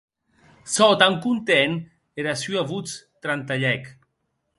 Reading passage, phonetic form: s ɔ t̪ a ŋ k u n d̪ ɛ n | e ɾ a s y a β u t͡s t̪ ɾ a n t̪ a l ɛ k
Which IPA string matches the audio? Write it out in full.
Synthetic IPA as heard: s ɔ t̪ a ŋ k u n t̪ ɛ n | e ɾ a s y a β u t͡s t̪ ɾ a n t̪ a ʎ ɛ k